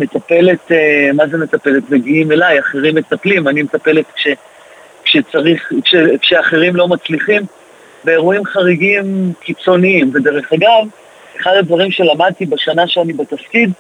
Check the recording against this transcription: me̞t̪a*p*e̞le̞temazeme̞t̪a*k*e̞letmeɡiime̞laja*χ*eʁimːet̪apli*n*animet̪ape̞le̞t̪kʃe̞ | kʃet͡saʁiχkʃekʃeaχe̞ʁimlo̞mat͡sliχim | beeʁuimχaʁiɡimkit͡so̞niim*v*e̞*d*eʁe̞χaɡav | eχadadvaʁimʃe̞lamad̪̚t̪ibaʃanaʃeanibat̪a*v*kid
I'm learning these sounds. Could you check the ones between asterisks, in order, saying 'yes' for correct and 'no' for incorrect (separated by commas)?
yes, no, yes, no, yes, yes, no